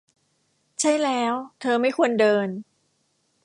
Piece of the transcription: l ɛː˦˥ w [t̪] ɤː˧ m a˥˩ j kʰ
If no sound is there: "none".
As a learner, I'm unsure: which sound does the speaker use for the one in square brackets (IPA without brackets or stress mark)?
t̪ʰ